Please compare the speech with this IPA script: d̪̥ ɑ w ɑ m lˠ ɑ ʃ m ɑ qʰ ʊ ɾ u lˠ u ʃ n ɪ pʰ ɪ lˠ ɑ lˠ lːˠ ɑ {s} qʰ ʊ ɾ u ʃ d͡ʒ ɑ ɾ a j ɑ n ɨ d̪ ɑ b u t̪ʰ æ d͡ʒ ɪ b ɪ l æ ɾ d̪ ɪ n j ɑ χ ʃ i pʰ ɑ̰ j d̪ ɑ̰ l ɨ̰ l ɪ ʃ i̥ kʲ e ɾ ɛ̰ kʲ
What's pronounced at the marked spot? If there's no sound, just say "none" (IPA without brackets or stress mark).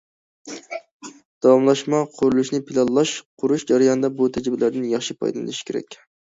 ʃ